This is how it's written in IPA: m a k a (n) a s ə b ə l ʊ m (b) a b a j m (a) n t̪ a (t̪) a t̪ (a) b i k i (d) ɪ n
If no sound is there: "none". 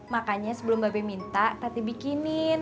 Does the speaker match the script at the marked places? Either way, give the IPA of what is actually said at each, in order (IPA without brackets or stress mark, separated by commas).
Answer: ɲ, b, i, t̪, i, n